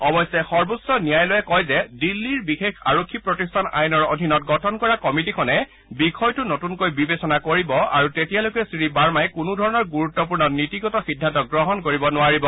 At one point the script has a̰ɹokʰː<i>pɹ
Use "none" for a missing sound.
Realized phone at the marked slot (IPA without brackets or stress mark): i